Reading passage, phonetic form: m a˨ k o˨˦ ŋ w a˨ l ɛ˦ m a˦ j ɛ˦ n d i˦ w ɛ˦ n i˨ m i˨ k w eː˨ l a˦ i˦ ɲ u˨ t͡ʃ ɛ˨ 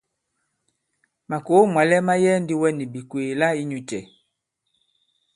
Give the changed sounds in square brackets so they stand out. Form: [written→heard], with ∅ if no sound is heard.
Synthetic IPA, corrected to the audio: m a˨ k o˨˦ [ŋ→m] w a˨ l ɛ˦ m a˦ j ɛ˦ n d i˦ w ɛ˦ n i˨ [m→b] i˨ k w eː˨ l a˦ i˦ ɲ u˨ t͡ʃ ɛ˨